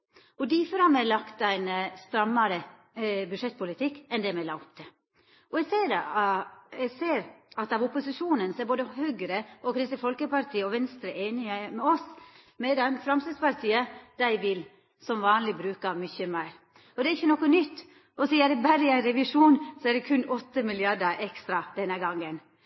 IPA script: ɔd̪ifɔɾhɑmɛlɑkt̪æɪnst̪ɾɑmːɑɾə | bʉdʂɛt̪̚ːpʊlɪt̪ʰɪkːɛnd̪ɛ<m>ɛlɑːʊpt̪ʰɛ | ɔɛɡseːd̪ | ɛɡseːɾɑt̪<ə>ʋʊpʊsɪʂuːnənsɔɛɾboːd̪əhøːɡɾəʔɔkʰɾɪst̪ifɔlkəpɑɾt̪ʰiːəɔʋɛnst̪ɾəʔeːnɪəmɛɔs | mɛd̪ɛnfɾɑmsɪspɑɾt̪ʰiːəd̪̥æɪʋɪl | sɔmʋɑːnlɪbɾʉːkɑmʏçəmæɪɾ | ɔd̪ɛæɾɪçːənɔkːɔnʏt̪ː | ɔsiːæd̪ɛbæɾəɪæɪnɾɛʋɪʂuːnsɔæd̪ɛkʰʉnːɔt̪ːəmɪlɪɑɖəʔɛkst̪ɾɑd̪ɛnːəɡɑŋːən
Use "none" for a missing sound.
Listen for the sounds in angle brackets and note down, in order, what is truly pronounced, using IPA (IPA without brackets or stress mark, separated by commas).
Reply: m, ɑ